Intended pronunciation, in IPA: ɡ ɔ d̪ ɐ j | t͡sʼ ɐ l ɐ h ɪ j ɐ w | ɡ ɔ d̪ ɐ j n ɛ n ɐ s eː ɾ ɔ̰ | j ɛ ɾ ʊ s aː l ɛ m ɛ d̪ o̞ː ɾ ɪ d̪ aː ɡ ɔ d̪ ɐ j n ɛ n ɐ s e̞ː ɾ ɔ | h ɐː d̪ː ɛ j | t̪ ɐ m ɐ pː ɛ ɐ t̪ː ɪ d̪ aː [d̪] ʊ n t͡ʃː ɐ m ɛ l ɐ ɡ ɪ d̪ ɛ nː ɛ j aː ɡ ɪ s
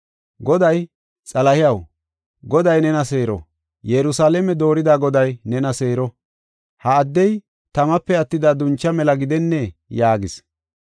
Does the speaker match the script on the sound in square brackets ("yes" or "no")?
yes